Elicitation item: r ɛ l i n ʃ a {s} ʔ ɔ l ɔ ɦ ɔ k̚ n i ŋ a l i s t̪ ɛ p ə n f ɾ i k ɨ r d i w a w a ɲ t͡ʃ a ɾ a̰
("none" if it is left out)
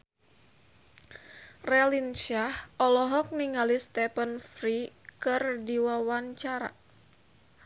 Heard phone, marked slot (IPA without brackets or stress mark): h